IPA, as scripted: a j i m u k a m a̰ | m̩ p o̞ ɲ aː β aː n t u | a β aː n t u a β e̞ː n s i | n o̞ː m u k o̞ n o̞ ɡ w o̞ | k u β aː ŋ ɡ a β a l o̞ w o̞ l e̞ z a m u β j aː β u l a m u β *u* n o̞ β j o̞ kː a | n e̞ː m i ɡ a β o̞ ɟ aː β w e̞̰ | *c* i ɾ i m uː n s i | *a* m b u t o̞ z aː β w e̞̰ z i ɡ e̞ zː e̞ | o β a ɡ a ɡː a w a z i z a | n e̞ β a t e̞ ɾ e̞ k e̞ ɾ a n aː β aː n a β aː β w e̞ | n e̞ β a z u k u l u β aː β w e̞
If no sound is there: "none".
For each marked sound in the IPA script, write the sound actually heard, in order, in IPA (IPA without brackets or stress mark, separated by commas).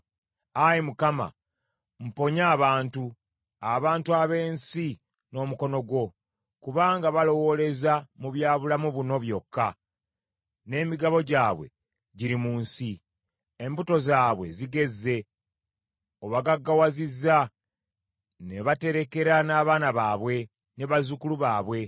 u, ɟ, e